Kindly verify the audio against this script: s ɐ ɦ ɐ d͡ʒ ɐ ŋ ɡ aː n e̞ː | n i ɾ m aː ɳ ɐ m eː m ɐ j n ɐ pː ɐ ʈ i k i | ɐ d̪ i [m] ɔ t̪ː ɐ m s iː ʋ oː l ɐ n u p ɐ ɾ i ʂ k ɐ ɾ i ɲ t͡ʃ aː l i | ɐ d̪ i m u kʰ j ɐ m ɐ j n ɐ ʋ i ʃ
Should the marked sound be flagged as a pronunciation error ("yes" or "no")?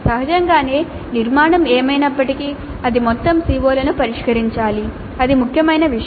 no